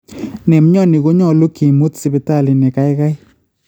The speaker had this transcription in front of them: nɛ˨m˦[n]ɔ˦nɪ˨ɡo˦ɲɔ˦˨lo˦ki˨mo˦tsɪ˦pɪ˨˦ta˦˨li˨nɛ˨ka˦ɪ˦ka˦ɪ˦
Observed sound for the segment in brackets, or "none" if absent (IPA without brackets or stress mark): ɲ